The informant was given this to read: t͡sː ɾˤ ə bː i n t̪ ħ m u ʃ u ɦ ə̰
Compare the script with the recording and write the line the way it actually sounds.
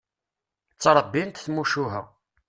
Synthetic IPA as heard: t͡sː ɾˤ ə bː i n t̪ θ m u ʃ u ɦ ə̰

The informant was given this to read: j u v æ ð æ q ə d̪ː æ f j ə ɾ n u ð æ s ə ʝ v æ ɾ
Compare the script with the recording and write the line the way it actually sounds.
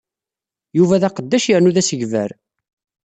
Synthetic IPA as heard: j u v æ ð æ q ə d̪ː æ ʃ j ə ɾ n u ð æ s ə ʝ v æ ɾ

